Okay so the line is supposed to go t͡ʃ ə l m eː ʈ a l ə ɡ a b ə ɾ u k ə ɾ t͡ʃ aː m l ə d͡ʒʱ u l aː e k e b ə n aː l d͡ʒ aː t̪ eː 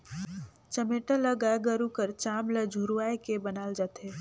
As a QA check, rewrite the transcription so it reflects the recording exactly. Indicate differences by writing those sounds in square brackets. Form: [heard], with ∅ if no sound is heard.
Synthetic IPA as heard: t͡ʃ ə [∅] m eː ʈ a l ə ɡ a [ɡ] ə ɾ u k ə ɾ t͡ʃ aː m l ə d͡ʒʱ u [ɾ] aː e k e b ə n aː l d͡ʒ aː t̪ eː